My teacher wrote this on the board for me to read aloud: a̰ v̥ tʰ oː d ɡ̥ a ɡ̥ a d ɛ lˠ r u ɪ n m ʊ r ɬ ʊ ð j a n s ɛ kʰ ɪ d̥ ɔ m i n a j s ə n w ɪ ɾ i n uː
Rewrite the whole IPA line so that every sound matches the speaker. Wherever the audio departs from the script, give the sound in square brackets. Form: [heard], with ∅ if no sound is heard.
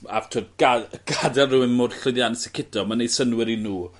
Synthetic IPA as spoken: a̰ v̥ tʰ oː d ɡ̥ a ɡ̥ a d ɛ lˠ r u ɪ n m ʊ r ɬ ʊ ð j a n s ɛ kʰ ɪ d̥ ɔ m [a] n [e] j s ə n w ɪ ɾ i n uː